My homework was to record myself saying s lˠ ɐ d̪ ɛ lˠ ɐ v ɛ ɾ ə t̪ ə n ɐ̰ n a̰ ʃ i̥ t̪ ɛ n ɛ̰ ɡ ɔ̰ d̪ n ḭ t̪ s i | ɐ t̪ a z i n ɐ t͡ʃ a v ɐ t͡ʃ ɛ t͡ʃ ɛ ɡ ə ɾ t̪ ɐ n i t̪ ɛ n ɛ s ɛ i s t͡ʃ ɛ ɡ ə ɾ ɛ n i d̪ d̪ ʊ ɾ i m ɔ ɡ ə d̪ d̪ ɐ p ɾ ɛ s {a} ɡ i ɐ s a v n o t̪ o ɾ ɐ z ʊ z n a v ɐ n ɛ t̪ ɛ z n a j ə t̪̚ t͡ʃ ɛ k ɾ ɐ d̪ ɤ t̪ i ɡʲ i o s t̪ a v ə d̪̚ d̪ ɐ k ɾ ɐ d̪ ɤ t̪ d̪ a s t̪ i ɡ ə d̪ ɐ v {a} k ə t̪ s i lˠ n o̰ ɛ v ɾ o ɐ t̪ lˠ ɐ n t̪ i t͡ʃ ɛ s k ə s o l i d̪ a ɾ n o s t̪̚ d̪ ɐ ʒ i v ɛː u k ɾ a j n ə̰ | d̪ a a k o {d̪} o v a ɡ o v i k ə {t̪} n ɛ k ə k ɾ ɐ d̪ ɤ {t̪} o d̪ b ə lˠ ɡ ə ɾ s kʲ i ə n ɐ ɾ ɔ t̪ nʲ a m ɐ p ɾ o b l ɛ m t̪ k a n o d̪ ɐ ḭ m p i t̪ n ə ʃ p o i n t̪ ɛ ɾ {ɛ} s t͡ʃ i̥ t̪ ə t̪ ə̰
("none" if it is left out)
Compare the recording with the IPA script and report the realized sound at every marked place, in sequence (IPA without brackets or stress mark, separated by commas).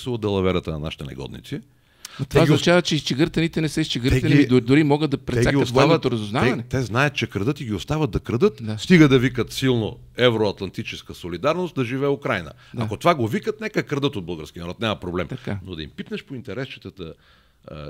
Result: a, i, t̪, t̪, t̪, ɛ